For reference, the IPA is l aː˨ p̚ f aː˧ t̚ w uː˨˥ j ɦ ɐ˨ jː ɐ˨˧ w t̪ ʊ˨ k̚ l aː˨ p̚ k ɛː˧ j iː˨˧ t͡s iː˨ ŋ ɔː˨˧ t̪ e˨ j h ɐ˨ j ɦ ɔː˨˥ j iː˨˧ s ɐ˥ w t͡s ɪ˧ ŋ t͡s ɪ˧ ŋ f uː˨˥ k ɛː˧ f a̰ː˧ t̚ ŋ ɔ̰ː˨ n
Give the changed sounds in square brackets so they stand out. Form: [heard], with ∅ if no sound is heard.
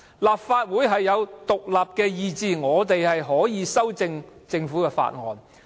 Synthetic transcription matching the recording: l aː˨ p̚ f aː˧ t̚ w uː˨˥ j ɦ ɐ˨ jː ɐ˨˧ w t̪ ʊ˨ k̚ l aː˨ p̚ k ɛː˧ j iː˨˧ t͡s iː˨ ŋ ɔː˨˧ t̪ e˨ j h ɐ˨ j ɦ ɔː˨˥ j iː˨˧ s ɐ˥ w t͡s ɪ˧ ŋ t͡s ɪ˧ ŋ f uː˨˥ k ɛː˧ f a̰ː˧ t̚ ŋ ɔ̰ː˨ n